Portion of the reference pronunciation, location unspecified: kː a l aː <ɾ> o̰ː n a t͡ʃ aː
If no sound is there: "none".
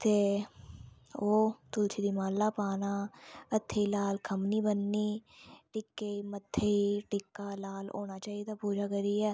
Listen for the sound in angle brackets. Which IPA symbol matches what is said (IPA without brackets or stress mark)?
l